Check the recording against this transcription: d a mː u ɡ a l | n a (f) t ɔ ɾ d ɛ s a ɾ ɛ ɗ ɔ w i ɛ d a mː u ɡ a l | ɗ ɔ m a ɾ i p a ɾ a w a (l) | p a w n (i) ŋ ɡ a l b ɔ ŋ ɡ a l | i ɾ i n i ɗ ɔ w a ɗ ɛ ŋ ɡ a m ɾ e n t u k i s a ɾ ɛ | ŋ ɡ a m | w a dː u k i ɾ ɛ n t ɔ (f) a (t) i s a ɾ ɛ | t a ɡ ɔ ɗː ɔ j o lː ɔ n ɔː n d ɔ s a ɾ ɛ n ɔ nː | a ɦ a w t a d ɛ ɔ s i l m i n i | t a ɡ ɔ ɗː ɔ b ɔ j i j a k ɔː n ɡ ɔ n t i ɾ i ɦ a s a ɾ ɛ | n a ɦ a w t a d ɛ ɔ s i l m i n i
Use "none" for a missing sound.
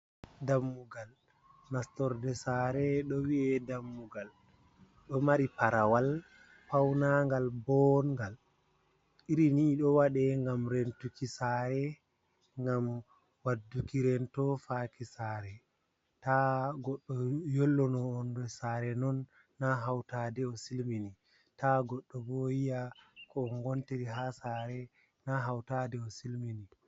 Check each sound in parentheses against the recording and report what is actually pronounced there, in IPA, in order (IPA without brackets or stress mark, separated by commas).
s, l, a, f, k